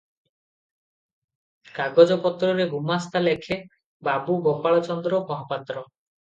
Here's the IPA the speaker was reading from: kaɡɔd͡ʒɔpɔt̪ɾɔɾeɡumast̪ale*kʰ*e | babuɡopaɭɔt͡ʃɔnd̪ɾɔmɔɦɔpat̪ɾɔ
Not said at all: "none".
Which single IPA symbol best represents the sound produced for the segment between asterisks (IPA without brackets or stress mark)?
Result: kʰ